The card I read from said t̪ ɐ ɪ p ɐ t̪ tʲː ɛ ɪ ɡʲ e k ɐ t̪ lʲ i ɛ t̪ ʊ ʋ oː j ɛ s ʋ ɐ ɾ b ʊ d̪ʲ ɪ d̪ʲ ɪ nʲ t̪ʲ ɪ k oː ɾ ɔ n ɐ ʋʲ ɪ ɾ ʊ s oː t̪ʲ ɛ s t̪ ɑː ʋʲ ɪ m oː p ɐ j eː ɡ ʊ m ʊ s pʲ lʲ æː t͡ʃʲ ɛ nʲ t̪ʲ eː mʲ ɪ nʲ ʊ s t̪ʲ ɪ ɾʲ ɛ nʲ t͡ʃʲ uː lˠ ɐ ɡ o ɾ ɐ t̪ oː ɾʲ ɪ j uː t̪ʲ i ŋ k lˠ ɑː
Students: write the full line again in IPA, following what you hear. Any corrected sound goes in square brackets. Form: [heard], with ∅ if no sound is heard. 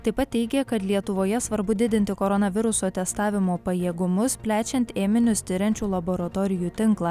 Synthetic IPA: t̪ ɐ ɪ p ɐ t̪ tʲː ɛ ɪ ɡʲ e k ɐ t̪ lʲ i ɛ t̪ ʊ ʋ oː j ɛ s ʋ ɐ ɾ b ʊ d̪ʲ ɪ d̪ʲ ɪ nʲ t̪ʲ ɪ k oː ɾ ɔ n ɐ ʋʲ ɪ ɾ ʊ s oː t̪ʲ ɛ s t̪ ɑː ʋʲ ɪ m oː p ɐ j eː ɡ ʊ m ʊ s pʲ lʲ æː t͡ʃʲ ɛ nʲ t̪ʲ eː mʲ ɪ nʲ ʊ s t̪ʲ ɪ ɾʲ ɛ nʲ t͡ʃʲ uː lˠ ɐ [b] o ɾ ɐ t̪ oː ɾʲ ɪ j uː t̪ʲ [ɪ] ŋ k lˠ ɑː